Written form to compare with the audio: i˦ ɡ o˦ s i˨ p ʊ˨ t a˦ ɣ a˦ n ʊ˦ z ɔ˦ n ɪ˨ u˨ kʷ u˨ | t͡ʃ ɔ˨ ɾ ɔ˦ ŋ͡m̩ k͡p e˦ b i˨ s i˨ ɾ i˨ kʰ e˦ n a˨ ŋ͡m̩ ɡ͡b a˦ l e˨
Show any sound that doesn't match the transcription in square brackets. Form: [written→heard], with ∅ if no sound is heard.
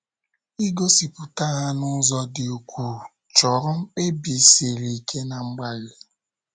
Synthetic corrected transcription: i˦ ɡ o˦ s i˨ p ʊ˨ t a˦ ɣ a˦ n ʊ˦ z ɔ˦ [n→d] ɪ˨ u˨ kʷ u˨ | t͡ʃ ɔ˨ ɾ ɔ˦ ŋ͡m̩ k͡p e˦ b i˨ s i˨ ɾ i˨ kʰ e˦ n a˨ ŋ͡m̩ ɡ͡b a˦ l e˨

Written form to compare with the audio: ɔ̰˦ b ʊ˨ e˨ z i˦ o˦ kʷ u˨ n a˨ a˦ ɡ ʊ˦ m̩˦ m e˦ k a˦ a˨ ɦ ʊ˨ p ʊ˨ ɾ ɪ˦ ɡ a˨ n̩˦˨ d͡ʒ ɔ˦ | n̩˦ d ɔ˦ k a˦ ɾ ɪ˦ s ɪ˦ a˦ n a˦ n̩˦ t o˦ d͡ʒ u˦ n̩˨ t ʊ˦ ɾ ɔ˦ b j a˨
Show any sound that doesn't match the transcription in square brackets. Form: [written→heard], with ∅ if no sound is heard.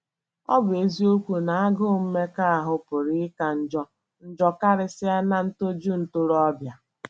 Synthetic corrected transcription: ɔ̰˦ b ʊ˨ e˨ z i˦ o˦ kʷ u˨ n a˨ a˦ ɡ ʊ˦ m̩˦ m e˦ k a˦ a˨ ɦ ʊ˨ p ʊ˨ ɾ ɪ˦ [ɡ→k] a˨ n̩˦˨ d͡ʒ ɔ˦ | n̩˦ [d→d͡ʒ] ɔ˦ k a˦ ɾ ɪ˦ s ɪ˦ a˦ n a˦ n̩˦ t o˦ d͡ʒ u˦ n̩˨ t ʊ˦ ɾ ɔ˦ b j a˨

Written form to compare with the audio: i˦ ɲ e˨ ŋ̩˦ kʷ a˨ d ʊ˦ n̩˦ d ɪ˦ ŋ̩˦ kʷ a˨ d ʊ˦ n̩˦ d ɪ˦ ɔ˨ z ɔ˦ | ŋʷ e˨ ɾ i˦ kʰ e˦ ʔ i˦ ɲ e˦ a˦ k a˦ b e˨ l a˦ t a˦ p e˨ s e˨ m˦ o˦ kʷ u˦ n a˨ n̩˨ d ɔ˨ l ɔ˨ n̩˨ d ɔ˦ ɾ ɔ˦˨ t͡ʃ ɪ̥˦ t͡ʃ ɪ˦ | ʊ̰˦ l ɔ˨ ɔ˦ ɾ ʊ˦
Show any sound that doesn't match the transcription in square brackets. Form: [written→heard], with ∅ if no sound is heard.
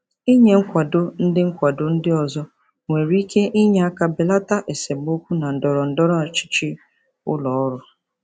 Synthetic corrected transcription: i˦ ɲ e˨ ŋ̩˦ kʷ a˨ d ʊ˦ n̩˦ d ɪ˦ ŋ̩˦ kʷ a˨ d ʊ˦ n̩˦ d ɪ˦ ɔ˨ z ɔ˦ | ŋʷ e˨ ɾ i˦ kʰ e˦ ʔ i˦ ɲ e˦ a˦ k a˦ b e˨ l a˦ t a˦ [p→ʔ] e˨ s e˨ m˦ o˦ kʷ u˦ n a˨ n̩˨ d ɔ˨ [l→ɾ] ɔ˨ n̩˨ d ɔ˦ ɾ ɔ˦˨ t͡ʃ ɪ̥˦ t͡ʃ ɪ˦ | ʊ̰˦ l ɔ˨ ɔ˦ ɾ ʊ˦

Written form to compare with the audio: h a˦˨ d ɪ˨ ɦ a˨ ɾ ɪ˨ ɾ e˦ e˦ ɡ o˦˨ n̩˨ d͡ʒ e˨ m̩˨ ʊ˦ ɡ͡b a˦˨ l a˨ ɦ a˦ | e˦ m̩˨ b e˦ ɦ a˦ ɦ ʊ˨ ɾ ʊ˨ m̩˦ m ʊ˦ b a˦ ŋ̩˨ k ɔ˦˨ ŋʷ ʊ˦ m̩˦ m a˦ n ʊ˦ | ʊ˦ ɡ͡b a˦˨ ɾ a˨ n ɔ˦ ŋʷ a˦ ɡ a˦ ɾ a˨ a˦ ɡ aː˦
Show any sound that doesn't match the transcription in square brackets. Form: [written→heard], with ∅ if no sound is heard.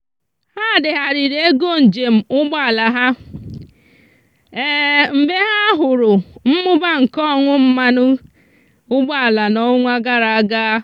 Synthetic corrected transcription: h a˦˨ d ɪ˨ ɦ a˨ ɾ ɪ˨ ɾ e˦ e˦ ɡ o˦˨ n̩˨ d͡ʒ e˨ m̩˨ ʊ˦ ɡ͡b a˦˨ l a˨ ɦ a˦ | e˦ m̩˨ b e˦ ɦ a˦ ɦ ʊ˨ ɾ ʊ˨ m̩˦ m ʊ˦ b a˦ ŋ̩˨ k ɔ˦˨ ŋʷ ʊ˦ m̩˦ m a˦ n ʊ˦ | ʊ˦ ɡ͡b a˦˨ [ɾ→l] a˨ n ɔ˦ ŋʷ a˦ ɡ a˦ ɾ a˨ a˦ ɡ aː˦

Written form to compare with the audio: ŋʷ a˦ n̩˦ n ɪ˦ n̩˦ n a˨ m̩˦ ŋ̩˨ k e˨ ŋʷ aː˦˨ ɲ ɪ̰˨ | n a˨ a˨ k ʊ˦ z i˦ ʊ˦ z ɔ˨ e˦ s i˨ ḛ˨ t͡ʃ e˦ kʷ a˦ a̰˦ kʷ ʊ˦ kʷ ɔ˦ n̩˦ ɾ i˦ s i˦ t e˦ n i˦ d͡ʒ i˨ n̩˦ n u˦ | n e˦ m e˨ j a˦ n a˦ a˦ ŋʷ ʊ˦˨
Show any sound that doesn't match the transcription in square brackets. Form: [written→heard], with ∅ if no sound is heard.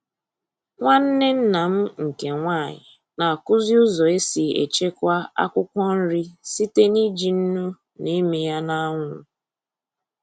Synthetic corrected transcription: ŋʷ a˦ n̩˦ n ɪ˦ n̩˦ n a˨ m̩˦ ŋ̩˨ k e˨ ŋʷ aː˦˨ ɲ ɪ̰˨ | n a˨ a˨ k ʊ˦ z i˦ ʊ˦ z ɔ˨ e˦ s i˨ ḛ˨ t͡ʃ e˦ kʷ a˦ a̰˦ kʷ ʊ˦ kʷ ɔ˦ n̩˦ ɾ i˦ s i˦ t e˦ n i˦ d͡ʒ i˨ n̩˦ n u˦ | n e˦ m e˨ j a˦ n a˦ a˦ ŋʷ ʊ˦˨

